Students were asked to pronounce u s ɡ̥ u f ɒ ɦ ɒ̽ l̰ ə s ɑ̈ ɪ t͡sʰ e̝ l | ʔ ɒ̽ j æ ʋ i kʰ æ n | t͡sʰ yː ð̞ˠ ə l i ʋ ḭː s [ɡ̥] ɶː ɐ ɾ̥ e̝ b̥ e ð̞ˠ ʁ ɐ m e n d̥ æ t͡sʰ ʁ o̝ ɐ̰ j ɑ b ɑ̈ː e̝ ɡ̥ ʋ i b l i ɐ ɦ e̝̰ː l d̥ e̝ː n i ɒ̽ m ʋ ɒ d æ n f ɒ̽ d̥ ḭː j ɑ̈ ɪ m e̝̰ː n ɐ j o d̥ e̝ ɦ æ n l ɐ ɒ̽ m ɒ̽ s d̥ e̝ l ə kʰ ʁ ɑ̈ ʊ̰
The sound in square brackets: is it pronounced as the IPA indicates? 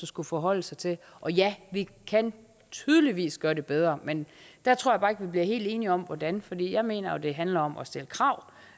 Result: yes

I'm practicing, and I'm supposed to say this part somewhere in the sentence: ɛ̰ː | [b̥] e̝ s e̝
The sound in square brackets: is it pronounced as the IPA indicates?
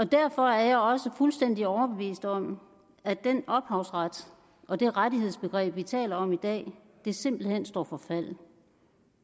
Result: no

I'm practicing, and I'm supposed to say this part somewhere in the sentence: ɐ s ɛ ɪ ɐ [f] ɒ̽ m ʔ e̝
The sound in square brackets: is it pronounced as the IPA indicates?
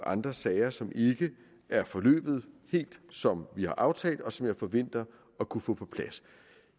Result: no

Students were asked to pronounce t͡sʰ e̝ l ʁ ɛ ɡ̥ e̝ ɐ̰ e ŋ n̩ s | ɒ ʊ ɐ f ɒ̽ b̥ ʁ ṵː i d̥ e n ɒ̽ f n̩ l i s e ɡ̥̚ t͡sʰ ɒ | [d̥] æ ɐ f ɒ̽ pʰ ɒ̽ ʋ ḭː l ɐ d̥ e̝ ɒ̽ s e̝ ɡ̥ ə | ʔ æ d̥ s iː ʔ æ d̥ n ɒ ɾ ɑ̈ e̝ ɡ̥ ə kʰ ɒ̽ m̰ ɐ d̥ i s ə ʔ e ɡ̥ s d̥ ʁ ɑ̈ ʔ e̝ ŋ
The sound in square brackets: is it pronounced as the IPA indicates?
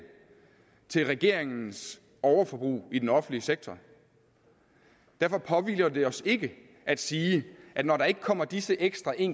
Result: yes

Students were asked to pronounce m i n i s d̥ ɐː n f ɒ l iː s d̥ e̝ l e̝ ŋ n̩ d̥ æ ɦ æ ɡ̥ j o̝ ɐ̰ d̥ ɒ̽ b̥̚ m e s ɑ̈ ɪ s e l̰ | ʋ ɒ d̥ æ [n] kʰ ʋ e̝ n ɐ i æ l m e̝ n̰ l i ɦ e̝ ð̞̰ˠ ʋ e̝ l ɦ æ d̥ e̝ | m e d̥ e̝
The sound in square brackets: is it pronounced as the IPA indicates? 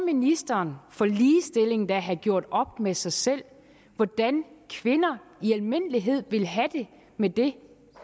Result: yes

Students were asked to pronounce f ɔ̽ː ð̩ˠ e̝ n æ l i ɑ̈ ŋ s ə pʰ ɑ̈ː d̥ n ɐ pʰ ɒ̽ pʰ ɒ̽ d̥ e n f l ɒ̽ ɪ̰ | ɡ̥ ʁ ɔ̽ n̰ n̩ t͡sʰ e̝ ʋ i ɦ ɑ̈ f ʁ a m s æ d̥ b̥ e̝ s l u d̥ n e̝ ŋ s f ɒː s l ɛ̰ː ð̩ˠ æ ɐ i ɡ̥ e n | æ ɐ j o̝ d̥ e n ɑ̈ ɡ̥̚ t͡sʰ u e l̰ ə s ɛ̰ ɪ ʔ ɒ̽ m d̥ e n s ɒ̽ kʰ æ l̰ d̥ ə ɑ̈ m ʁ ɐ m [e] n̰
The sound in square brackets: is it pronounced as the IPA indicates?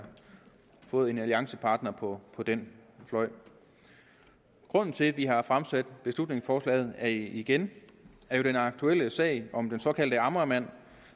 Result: no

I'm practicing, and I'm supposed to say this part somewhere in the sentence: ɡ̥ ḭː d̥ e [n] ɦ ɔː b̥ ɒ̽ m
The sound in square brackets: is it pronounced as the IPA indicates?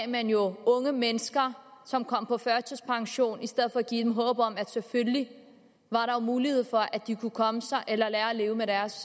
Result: no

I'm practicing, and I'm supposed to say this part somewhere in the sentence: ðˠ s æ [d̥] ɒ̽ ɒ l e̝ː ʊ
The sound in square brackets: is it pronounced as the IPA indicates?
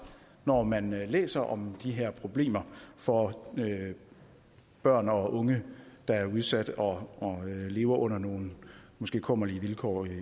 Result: yes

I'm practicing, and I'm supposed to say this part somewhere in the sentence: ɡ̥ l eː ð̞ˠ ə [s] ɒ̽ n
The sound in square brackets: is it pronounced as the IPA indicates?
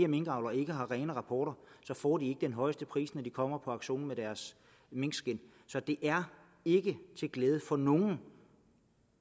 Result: no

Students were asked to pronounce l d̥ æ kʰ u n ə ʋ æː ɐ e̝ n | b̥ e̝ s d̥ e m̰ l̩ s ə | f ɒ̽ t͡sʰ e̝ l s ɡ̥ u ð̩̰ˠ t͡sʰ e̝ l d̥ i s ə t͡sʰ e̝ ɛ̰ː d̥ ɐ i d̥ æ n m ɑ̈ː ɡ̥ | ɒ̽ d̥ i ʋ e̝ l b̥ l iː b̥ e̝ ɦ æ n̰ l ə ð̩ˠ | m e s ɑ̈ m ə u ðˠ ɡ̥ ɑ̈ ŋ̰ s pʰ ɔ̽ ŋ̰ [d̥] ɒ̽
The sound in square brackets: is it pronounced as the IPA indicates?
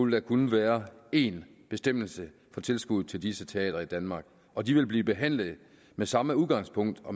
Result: yes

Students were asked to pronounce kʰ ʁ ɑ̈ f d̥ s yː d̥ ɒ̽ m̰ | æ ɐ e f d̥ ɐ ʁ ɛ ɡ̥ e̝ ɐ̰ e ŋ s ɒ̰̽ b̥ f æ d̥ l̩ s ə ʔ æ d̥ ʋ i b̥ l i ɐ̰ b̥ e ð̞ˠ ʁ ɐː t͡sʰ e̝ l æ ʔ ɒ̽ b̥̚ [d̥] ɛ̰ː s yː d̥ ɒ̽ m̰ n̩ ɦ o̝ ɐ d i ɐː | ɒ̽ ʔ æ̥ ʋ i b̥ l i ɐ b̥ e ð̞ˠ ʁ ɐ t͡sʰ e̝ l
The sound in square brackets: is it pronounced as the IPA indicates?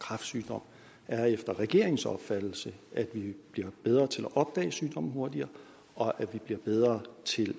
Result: yes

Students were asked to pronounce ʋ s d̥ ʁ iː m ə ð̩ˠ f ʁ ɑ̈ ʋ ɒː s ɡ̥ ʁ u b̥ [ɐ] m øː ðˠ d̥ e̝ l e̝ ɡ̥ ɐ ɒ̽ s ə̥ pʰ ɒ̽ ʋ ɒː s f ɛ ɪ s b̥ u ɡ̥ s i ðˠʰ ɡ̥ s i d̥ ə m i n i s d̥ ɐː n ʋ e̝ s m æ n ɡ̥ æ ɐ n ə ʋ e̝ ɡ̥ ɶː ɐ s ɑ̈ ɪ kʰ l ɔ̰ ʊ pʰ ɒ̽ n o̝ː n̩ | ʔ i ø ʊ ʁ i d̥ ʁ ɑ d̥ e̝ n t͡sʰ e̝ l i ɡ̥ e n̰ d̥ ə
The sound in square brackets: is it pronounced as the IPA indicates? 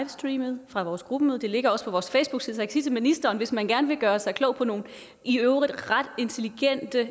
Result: no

